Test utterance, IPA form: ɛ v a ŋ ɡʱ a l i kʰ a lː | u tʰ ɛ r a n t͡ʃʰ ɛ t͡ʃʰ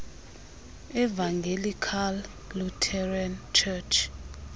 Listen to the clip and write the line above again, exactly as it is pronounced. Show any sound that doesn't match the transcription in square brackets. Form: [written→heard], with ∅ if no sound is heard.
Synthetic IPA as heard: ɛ v a ŋ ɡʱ [a→e] l i kʰ a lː | u tʰ ɛ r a n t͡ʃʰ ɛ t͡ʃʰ